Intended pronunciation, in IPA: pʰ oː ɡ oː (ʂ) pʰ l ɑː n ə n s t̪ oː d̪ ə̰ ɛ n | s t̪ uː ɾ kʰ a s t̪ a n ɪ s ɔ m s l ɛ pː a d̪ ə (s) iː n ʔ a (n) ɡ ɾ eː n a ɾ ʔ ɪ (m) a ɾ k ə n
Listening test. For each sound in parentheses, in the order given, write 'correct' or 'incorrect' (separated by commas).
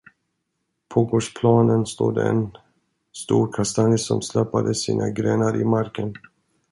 correct, correct, incorrect, correct